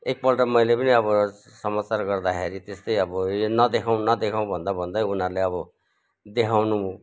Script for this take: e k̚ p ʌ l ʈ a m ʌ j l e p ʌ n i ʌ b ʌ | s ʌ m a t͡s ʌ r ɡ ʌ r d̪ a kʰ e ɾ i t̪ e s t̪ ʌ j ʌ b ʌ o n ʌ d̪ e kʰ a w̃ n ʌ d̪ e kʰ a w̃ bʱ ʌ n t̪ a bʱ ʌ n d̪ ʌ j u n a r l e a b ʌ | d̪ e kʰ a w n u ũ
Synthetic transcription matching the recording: e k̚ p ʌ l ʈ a m ʌ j l e p ʌ n i ʌ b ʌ | s ʌ m a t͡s a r ɡ ʌ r d̪ a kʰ e ɾ i t̪ e s t̪ ʌ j ʌ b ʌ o n ʌ d̪ e kʰ a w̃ n ʌ d̪ e kʰ a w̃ bʱ ʌ n d̪ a bʱ ʌ n d̪ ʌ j u n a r l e ʌ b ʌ | d̪ e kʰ a w n u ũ